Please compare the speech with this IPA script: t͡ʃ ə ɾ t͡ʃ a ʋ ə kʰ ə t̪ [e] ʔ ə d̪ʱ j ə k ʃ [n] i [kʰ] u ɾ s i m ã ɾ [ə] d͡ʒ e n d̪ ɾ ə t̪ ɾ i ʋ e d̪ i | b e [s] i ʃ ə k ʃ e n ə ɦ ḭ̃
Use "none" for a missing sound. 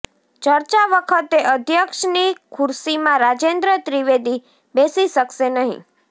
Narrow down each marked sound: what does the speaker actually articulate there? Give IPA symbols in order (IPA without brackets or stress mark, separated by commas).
e, n, kʰ, a, s